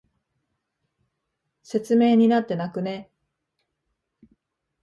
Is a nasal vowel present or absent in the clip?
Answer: absent